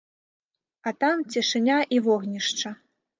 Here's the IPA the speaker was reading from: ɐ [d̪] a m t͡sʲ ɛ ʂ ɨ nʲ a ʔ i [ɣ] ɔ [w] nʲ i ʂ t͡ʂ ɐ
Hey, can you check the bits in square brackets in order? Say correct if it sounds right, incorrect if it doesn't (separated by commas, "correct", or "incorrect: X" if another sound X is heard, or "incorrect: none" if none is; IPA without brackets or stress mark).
incorrect: t̪, incorrect: v, incorrect: ɣ